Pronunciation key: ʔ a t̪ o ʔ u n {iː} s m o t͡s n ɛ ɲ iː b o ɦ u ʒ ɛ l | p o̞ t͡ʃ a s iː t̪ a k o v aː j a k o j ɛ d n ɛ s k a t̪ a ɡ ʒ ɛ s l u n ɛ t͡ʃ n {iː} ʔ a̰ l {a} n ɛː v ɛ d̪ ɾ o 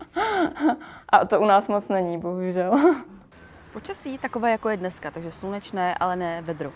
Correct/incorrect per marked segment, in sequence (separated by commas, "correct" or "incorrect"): incorrect, incorrect, incorrect